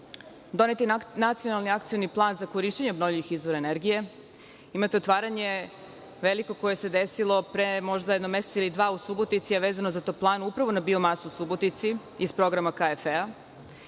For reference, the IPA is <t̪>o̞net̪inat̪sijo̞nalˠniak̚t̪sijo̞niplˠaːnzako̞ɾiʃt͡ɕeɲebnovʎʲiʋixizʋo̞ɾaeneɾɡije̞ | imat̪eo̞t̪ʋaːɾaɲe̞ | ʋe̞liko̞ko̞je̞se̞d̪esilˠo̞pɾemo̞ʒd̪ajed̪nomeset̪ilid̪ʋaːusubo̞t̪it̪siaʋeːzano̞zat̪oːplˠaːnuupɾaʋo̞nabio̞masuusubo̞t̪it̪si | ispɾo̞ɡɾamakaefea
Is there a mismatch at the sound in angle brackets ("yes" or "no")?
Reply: yes